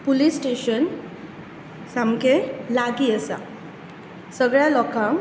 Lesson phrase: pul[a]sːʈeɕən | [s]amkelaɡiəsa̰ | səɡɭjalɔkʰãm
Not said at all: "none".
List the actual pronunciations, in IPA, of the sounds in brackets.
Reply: i, s

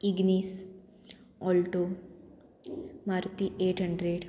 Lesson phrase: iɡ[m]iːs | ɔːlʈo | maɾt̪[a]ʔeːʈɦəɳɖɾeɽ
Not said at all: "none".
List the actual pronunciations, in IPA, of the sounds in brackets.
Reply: n, i

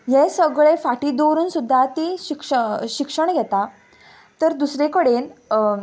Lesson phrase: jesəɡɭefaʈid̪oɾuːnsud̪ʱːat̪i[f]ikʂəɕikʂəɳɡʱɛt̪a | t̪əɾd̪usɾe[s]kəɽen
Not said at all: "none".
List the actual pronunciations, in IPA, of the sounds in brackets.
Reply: ɕ, none

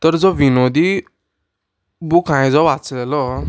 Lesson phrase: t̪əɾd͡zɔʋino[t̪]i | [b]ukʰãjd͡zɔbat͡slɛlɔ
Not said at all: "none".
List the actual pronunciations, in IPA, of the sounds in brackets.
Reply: d̪, b

